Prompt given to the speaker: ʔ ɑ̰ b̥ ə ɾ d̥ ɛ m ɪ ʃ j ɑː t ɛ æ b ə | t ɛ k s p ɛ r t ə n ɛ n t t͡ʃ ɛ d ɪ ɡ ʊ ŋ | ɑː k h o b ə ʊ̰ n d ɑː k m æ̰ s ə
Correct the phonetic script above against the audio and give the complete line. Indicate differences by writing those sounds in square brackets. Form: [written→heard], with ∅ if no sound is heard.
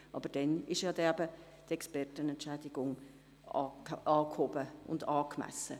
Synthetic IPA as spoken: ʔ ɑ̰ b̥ ə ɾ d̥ ɛ [m→n] ɪ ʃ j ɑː [t→d] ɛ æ b ə | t ɛ k s p ɛ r t ə n ɛ n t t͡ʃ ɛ d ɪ ɡ ʊ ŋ | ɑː k h o b ə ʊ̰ n d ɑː k m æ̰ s ə